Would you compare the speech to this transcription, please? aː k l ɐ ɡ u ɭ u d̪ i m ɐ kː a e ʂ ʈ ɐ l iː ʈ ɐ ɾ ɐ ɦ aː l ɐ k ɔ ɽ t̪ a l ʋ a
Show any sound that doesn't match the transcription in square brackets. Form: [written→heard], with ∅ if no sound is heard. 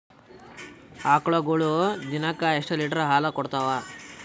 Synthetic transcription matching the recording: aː k [l→ɭ] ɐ ɡ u ɭ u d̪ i [m→n] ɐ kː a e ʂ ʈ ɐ l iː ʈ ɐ ɾ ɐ ɦ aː l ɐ k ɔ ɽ t̪ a [l→∅] ʋ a